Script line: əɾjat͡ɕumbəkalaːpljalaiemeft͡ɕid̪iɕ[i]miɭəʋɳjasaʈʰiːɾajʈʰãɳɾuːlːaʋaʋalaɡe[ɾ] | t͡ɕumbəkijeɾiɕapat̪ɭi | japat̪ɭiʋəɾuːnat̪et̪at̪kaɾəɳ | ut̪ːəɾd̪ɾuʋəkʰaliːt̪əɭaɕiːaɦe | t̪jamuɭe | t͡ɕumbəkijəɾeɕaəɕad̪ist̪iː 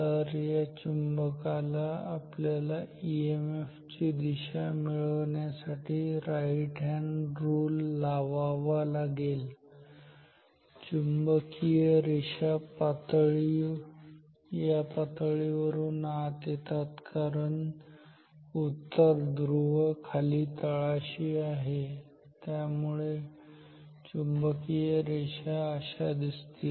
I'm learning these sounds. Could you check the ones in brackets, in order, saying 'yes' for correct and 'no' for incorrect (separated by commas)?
no, no